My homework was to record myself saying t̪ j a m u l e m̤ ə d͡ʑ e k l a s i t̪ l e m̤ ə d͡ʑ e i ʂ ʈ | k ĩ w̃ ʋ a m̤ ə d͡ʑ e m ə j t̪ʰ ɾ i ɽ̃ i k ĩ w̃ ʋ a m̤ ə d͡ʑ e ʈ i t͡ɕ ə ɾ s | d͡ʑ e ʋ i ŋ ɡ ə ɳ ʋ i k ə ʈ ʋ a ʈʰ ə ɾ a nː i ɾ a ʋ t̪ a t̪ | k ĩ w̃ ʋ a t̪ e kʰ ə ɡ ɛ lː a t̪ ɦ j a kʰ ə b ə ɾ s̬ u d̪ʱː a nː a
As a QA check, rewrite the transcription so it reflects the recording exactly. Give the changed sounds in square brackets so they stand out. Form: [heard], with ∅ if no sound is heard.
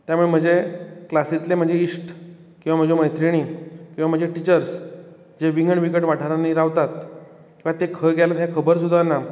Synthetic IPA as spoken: t̪ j a m u [ɭ] e m̤ ə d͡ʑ e k l a s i t̪ l e m̤ ə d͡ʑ e i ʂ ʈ | k ĩ w̃ ʋ a m̤ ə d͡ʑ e m ə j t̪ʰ ɾ i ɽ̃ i k ĩ w̃ ʋ a m̤ ə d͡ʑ e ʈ i t͡ɕ ə ɾ s | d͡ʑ e ʋ i ŋ ɡ ə ɳ ʋ i k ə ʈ ʋ a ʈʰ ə ɾ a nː i ɾ a ʋ t̪ a t̪ | k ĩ w̃ ʋ a t̪ e kʰ ə ɡ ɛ [l] a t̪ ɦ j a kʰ ə b ə ɾ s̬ u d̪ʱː a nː a